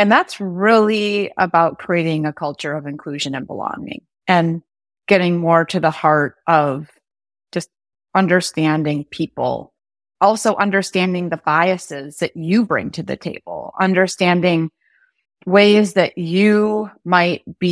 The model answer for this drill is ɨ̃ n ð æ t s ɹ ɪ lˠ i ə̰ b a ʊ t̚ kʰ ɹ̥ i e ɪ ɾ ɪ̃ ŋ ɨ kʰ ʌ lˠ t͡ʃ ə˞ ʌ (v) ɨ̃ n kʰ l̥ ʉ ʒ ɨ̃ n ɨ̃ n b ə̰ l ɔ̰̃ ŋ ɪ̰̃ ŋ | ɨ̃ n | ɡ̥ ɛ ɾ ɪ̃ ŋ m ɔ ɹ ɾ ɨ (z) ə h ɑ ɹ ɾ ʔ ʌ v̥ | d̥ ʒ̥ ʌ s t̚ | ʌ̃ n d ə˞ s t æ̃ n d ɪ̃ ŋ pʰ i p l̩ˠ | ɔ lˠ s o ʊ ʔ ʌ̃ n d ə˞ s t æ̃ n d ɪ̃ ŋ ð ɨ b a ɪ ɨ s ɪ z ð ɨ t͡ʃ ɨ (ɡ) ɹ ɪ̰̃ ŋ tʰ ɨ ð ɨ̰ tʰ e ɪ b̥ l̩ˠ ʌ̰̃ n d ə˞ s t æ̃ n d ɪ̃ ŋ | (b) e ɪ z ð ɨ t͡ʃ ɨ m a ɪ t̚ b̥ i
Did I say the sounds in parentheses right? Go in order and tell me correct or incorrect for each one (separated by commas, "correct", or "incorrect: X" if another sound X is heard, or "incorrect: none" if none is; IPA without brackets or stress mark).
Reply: correct, incorrect: ð, incorrect: b, incorrect: w